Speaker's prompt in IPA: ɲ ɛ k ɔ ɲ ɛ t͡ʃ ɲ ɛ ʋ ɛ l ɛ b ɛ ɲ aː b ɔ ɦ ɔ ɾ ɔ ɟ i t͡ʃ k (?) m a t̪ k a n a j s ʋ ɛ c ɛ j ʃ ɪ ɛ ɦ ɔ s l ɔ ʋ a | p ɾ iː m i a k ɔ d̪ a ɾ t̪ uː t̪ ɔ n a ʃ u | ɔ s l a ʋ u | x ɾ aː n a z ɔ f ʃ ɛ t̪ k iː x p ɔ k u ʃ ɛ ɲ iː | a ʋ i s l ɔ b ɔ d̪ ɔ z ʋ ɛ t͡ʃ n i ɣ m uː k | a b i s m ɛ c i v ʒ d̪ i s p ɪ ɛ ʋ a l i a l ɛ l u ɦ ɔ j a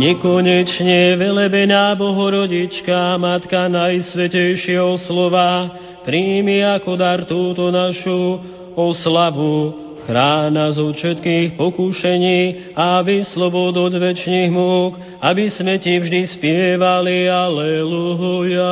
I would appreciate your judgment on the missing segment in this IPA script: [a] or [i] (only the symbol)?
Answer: a